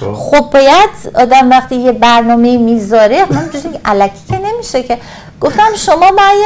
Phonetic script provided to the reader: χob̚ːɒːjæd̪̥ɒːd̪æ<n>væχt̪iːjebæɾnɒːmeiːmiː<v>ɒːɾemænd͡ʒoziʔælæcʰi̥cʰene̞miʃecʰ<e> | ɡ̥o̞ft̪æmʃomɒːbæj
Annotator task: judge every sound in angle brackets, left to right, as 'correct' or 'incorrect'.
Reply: incorrect: m, incorrect: z, correct

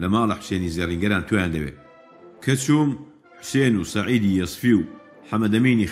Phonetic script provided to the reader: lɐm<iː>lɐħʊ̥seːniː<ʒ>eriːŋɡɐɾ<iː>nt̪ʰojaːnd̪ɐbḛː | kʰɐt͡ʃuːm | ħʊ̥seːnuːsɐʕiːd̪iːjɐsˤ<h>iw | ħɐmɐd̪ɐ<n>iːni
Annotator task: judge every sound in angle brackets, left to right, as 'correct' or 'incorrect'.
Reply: incorrect: aː, incorrect: z, incorrect: aː, incorrect: f, incorrect: m

